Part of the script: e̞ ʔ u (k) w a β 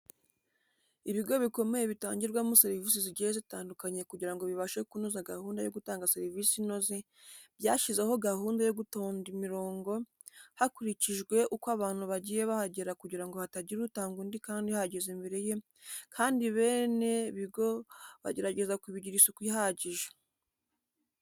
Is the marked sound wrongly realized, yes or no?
no